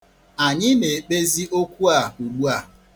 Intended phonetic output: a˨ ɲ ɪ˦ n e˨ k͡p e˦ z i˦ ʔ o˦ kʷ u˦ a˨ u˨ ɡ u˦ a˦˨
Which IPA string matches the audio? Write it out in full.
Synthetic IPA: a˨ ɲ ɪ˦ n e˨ k͡p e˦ z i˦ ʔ o˦ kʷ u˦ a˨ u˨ ɡ͡b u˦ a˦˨